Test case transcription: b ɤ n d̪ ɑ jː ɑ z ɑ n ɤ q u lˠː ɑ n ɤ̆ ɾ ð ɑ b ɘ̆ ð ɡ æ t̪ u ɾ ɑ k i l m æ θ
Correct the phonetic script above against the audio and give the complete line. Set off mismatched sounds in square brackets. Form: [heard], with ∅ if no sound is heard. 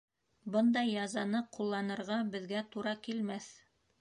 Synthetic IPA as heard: b ɤ n d̪ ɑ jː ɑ z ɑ n ɤ q u lˠː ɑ n ɤ̆ ɾ [ʁ] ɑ b ɘ̆ ð ɡ æ t̪ u ɾ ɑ k i l m æ θ